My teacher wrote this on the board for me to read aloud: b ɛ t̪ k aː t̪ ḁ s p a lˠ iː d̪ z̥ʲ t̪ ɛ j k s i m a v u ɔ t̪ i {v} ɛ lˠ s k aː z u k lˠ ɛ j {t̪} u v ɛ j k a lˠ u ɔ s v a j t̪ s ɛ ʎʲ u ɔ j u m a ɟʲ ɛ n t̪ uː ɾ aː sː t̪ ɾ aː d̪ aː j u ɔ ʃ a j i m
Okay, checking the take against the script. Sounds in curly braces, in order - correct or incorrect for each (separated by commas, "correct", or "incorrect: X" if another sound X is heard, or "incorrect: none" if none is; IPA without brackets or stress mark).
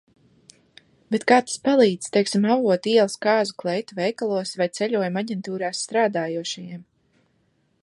incorrect: none, correct